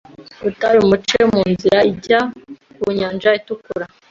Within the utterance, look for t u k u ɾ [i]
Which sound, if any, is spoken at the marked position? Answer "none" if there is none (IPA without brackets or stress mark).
a